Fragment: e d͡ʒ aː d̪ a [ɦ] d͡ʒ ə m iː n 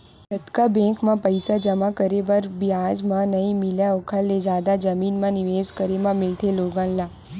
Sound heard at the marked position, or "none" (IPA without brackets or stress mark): none